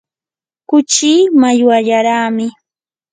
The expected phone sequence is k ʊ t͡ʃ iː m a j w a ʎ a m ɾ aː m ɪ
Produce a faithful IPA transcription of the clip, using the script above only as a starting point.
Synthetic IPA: k ʊ t͡ʃ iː m a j w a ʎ a ɾ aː m ɪ